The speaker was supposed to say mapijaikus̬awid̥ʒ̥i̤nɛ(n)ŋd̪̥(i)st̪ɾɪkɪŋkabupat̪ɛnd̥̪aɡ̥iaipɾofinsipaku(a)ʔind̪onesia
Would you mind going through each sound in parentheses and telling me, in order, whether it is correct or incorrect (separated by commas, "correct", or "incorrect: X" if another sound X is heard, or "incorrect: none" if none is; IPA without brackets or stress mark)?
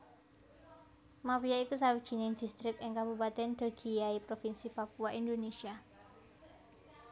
incorrect: none, correct, correct